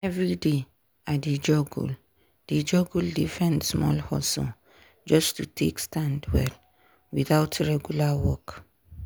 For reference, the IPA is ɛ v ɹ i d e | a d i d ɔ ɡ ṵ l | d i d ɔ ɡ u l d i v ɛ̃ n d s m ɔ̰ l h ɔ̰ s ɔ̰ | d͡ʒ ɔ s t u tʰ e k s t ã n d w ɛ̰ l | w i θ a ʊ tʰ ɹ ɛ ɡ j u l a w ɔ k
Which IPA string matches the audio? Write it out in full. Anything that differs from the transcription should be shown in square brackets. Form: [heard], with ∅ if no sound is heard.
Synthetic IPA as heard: ɛ v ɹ i d e | a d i [d͡ʒ] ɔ ɡ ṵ l | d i [d͡ʒ] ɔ ɡ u l d i [f] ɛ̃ n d s m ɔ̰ l h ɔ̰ s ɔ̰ | d͡ʒ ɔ s t u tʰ e k s t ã n d w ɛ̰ l | w i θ a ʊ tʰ ɹ ɛ ɡ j u l a w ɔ k